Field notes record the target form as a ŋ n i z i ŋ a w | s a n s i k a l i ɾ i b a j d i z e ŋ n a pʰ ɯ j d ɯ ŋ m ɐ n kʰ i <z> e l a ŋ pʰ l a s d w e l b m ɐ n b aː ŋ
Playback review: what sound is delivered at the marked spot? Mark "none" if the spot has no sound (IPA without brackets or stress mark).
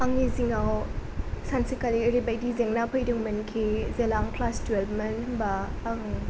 z